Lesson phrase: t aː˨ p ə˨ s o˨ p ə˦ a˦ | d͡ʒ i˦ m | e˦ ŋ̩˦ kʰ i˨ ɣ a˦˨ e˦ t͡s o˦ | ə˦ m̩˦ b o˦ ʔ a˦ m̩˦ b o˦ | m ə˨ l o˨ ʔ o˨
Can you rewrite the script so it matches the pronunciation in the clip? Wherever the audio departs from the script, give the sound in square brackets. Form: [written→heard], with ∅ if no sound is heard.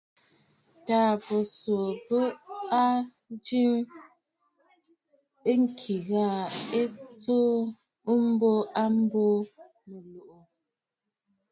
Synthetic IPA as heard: t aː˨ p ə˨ s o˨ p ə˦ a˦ | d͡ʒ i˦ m | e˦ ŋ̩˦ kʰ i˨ ɣ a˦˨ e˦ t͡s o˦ | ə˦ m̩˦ b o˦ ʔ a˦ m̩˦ b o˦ | m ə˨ l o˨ ʔ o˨